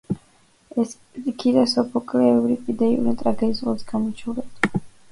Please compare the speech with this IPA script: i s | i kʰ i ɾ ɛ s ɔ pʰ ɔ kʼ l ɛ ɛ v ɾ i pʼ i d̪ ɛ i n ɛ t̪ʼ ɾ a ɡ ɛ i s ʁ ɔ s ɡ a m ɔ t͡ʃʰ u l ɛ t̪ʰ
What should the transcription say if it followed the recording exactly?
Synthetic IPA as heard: ɛ s | i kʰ i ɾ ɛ s ɔ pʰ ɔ kʼ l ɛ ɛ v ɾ i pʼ i d̪ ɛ i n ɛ t̪ʼ ɾ a ɡ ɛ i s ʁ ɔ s ɡ a m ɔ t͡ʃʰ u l ɛ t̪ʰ